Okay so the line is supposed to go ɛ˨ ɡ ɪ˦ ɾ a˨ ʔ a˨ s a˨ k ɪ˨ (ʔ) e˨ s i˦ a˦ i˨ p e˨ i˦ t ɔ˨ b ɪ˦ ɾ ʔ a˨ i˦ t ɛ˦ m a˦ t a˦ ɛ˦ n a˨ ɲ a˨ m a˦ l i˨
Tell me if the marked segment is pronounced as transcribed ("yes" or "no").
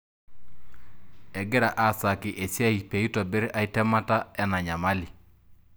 yes